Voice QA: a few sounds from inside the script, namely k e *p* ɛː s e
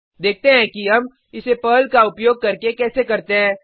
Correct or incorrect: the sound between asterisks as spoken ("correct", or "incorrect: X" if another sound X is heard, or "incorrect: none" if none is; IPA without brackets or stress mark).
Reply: incorrect: k